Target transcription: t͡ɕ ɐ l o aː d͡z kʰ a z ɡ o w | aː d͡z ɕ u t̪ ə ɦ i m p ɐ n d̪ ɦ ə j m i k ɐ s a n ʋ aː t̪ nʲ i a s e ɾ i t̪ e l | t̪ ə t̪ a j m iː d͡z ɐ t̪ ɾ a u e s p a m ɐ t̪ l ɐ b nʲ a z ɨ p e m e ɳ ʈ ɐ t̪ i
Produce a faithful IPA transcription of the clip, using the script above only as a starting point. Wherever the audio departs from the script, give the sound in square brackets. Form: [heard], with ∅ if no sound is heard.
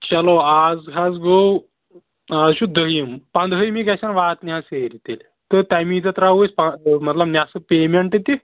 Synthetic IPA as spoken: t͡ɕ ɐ l o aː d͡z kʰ a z ɡ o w | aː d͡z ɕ u [d̪] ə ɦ i m p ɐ n d̪ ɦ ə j m i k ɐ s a n ʋ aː t̪ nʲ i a s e ɾ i t̪ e l | t̪ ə t̪ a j m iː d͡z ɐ t̪ ɾ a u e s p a m ɐ t̪ l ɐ b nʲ a [s] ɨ p e m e ɳ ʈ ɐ t̪ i